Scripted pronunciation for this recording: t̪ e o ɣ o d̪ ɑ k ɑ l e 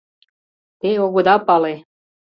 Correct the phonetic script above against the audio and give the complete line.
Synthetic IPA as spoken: t̪ e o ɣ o d̪ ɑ p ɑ l e